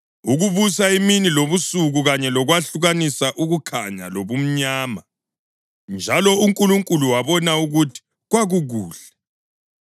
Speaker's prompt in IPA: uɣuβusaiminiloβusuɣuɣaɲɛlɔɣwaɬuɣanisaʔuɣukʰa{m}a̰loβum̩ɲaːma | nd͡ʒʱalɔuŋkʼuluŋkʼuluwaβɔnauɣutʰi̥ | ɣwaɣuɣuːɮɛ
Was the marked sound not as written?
yes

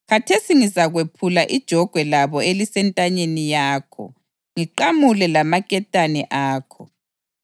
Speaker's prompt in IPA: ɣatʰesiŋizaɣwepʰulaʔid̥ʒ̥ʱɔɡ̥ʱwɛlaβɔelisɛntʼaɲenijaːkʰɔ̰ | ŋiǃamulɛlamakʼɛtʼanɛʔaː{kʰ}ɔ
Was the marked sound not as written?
no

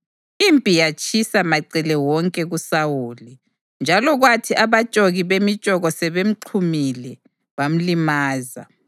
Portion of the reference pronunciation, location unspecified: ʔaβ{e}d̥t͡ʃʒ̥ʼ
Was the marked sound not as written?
yes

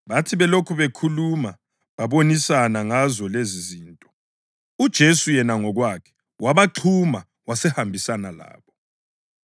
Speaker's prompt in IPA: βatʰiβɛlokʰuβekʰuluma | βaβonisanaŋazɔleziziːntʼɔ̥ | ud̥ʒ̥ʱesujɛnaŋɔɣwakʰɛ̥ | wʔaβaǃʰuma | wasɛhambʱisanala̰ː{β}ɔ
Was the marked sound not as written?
no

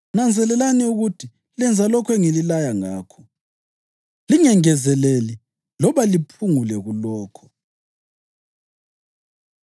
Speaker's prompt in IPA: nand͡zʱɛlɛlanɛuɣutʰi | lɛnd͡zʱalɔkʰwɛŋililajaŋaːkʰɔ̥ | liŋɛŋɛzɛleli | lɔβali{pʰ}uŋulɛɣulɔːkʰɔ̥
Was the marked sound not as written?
no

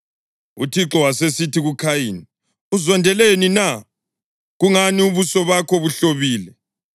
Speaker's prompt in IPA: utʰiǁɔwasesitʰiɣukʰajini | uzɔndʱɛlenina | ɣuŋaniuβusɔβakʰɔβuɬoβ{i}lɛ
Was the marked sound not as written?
yes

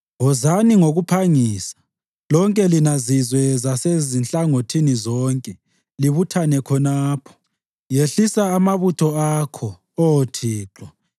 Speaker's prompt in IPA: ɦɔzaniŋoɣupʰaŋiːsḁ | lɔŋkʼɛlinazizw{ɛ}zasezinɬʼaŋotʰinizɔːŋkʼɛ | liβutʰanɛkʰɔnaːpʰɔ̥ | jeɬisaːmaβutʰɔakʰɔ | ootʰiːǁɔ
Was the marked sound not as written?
no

